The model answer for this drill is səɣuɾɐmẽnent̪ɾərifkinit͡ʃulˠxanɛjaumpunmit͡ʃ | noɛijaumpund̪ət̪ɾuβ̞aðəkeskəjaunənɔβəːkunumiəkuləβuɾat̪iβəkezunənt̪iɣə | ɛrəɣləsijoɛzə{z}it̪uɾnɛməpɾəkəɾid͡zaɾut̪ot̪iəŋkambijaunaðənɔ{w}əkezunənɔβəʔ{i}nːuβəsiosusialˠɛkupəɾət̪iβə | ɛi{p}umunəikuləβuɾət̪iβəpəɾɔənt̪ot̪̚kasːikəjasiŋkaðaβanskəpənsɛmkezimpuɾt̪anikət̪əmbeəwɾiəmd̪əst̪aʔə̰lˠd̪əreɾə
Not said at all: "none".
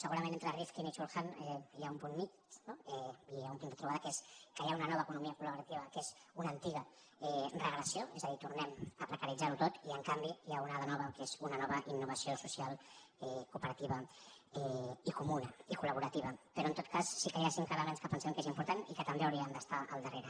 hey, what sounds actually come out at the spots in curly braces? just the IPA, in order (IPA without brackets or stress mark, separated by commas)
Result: ð, β, i, k